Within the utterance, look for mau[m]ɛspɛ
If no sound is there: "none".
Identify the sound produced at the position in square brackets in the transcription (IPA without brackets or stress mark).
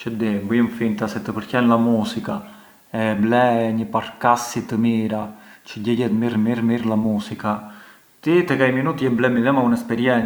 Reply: n